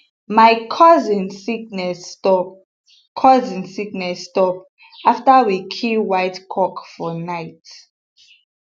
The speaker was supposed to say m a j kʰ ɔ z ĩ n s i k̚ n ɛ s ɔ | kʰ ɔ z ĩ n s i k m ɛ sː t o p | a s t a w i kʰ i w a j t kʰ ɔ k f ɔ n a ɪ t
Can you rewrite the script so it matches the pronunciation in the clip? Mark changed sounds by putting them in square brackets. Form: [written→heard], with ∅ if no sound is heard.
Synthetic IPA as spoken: m a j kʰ ɔ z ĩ n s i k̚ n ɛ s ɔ | kʰ ɔ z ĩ n s i k [m→n] ɛ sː t [o→ɔ] p | a [s→f] t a w i kʰ i w a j t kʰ ɔ k f ɔ n a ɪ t